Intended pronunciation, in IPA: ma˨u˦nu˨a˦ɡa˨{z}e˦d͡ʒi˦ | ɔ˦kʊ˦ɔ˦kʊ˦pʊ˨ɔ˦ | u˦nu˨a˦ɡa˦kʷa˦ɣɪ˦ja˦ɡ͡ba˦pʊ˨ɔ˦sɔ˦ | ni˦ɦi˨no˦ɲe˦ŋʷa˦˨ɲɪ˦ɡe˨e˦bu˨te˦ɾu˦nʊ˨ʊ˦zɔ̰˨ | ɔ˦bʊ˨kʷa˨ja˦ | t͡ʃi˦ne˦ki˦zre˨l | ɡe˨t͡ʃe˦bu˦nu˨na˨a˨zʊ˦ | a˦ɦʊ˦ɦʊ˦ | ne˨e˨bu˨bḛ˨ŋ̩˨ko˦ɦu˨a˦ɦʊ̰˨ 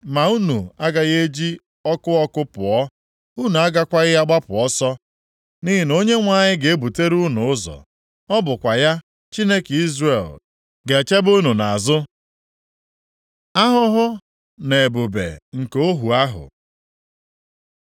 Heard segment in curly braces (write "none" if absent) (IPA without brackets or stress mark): ɣ